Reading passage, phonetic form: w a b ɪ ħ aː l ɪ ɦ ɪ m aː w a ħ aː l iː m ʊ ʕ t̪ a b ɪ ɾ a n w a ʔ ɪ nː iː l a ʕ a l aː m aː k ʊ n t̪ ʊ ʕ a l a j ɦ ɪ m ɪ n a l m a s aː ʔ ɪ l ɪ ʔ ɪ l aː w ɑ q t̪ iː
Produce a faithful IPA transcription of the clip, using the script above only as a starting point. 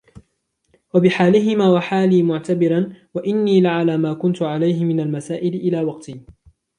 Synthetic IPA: w a b ɪ ħ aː l ɪ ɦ ɪ m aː w a ħ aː l iː m ʊ ʕ t̪ a b ɪ ɾ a n w a ʔ ɪ nː iː l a ʕ a l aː m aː k ʊ n t̪ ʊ ʕ a l a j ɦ ɪ m ɪ n a l m a s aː ʔ ɪ l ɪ ʔ ɪ l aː w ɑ q t̪ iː